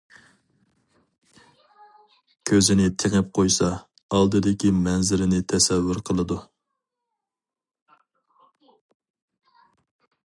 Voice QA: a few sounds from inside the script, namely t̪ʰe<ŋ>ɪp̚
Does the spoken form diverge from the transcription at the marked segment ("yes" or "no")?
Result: no